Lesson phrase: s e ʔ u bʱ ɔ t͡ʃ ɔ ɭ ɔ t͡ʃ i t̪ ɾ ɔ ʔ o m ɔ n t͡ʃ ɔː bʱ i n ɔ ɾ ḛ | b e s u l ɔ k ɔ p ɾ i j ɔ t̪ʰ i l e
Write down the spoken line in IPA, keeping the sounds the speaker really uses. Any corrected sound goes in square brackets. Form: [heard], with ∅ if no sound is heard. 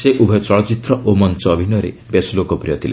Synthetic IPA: s e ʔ u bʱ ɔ t͡ʃ ɔ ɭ ɔ t͡ʃ i t̪ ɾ ɔ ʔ o m ɔ n t͡ʃ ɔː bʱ i n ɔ ɾ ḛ | b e s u l [o] k ɔ p ɾ i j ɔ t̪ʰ i l e